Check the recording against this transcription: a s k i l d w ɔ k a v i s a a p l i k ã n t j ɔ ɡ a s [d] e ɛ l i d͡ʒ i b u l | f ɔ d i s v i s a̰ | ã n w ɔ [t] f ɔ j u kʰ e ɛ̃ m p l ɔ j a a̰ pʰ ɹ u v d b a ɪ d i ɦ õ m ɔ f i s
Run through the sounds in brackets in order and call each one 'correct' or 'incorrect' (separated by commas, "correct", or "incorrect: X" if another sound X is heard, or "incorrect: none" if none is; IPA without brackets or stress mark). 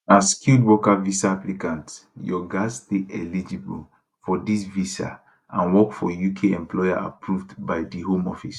incorrect: t, incorrect: k